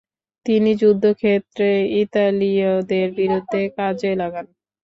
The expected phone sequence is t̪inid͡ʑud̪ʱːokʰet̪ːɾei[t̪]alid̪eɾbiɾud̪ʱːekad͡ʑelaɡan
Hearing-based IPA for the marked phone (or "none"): t̪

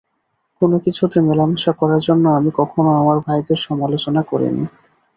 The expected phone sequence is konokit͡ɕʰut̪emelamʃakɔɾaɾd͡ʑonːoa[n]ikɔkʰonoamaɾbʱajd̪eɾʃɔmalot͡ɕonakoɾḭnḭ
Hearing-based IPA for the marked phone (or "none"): m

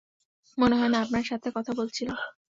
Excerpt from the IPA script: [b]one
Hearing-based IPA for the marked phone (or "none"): m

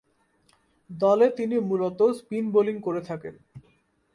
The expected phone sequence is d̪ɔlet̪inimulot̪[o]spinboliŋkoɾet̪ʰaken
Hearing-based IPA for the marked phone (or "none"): o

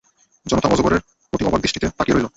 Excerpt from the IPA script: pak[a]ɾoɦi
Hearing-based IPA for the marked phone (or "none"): i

